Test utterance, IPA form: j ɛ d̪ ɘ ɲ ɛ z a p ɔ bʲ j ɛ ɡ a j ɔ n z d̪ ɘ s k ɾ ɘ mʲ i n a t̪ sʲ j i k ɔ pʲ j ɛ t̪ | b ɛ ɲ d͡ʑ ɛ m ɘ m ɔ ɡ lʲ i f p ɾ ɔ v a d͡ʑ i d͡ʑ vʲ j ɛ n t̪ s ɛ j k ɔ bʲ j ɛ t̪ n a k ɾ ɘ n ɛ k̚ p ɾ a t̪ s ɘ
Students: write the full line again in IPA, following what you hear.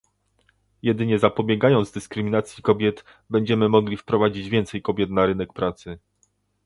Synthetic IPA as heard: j ɛ d̪ ɘ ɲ ɛ z a p ɔ bʲ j ɛ ɡ a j ɔ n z d̪ ɘ s k ɾ ɘ mʲ i n a t̪ sʲ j i k ɔ bʲ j ɛ t̪ | b ɛ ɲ d͡ʑ ɛ m ɘ m ɔ ɡ lʲ i f p ɾ ɔ v a d͡ʑ i d͡ʑ vʲ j ɛ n t̪ s ɛ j k ɔ bʲ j ɛ t̪ n a ɾ ɘ n ɛ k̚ p ɾ a t̪ s ɘ